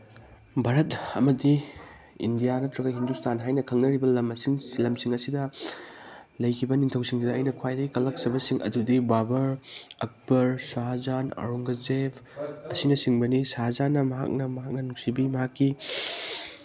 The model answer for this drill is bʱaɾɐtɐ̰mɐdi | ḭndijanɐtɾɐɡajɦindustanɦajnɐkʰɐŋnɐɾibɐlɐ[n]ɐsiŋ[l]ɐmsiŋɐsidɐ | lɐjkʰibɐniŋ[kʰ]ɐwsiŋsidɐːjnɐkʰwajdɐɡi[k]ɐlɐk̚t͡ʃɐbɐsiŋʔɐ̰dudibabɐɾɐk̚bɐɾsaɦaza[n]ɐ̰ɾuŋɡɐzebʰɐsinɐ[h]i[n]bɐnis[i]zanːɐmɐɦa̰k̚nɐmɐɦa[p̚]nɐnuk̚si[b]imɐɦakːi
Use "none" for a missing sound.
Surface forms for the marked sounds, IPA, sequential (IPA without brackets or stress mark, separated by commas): m, l, tʰ, k, n, s, ŋ, a, k̚, b